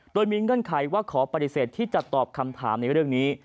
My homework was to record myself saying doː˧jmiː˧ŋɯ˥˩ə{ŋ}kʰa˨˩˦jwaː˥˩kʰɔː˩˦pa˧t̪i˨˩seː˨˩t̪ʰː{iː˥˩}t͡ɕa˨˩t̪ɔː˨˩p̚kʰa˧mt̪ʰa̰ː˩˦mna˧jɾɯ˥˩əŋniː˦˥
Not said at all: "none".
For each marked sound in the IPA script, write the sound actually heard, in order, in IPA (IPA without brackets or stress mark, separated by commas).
n, iː˥˩